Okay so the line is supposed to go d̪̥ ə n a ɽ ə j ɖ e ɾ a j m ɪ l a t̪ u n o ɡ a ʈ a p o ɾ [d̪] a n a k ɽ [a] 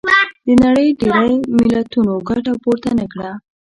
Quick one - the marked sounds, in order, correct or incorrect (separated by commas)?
incorrect, correct